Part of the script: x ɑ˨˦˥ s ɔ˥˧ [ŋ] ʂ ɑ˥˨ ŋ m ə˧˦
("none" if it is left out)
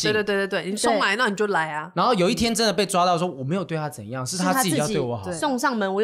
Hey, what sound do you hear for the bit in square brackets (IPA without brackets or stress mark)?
ŋ